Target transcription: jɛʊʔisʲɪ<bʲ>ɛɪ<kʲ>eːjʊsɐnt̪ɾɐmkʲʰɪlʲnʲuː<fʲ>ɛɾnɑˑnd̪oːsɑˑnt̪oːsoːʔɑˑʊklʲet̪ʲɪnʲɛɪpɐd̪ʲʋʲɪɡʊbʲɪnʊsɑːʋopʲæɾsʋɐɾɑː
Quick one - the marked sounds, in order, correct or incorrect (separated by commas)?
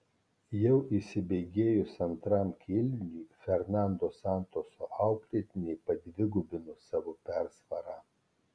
correct, incorrect, correct